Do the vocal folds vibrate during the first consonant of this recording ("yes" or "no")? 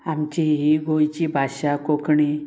yes